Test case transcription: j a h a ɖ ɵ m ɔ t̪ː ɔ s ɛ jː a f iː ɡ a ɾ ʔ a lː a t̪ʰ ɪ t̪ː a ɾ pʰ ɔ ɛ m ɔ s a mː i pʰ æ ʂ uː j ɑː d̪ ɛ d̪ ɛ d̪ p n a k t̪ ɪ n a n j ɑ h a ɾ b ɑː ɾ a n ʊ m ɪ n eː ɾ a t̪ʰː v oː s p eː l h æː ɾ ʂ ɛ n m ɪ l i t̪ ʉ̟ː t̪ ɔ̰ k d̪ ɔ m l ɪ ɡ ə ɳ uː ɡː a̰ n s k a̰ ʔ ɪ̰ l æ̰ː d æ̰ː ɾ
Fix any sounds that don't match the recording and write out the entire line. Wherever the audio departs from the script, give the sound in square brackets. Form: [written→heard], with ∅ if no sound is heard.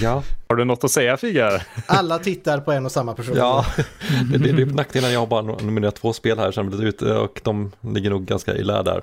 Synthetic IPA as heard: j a h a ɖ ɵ [m→n] ɔ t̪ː ɔ s ɛ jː a f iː ɡ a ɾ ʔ a lː a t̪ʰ ɪ t̪ː a ɾ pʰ ɔ ɛ [m→n] ɔ s a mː [i→a] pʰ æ ʂ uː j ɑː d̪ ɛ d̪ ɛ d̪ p n a k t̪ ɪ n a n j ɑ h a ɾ b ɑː ɾ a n ʊ m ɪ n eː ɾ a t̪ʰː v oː s p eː l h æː ɾ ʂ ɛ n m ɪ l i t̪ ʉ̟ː t̪ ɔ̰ k d̪ ɔ m l ɪ [ɡ→ɡː] ə ɳ uː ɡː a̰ n s k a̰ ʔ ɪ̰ l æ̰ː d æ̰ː ɾ